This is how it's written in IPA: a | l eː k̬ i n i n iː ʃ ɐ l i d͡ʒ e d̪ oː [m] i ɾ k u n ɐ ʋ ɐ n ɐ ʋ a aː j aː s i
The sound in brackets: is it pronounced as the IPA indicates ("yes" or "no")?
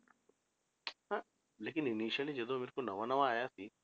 yes